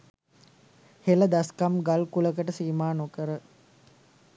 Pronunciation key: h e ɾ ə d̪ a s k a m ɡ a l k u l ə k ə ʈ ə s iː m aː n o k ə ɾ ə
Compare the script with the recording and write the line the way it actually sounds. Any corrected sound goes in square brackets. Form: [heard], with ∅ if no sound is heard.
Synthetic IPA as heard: h e [l] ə d̪ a s k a m ɡ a l k u l ə k ə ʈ ə s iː m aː n o k ə ɾ ə